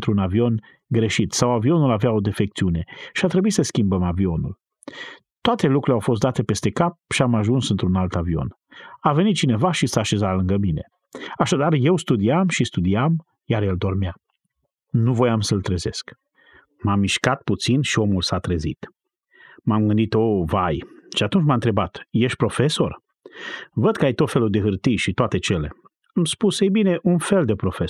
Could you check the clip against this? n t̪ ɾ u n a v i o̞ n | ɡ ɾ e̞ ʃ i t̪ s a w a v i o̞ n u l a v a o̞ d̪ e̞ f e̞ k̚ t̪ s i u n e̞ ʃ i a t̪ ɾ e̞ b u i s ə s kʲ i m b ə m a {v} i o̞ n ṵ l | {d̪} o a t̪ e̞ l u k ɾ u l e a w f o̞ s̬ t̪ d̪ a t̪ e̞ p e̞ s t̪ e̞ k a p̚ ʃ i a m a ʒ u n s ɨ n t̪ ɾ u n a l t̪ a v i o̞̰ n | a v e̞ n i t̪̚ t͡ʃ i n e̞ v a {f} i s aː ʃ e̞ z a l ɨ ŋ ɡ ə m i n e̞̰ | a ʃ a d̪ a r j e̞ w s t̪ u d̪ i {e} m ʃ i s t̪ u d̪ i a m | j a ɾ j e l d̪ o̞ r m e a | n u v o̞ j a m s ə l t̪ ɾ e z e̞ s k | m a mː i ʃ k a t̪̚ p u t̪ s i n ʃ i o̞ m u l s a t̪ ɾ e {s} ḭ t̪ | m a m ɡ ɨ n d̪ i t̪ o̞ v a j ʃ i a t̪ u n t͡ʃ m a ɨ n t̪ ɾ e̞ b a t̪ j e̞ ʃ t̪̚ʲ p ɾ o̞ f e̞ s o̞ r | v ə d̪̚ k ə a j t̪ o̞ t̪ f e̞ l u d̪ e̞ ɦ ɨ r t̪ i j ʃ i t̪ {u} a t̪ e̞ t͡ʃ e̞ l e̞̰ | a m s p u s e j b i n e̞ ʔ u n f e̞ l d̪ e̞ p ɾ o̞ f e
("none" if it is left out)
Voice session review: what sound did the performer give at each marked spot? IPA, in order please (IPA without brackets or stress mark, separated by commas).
v, t̪, ʃ, a, z, o